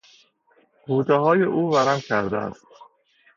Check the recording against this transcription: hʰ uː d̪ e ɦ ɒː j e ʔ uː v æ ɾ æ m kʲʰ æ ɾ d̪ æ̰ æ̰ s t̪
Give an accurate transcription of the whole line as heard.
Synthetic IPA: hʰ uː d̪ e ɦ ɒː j e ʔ uː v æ ɾ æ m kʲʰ æ ɾ d̪ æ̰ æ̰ s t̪